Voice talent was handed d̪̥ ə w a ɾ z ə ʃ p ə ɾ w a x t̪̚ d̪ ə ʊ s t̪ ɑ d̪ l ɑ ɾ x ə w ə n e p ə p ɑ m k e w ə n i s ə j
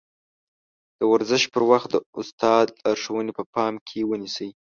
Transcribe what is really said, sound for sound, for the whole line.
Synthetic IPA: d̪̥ ə w a ɾ z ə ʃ p ə ɾ w a x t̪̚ d̪ ə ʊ s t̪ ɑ d̪ l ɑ ɾ ʂ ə w ə n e p ə p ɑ m kʰ e w ə n i s ə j